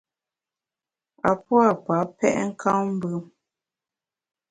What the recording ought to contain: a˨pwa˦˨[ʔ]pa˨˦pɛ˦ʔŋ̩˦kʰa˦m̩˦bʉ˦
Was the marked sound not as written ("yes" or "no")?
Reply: yes